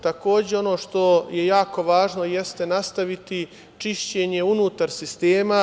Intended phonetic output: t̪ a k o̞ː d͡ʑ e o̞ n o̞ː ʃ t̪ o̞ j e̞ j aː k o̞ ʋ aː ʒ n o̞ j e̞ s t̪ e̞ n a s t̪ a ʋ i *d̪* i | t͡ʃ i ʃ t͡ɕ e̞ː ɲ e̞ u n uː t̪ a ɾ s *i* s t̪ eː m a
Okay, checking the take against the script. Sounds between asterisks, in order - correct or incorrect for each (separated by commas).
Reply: incorrect, correct